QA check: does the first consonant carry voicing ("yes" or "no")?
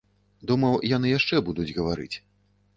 yes